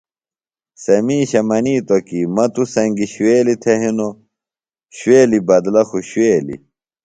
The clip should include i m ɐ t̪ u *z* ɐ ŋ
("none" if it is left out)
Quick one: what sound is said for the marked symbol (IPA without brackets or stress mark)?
s